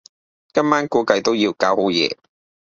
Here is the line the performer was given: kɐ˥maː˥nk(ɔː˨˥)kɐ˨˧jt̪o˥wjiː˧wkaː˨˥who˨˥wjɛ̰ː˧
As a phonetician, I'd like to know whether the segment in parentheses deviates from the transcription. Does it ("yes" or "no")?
yes